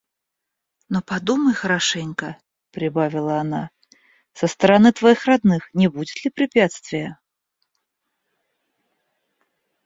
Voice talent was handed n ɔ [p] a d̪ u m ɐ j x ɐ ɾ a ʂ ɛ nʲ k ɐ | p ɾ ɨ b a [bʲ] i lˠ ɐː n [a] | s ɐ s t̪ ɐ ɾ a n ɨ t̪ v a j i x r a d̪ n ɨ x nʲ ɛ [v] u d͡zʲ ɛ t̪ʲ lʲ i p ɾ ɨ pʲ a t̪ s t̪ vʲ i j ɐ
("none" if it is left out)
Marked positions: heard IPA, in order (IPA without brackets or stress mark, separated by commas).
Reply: p, vʲ, a, b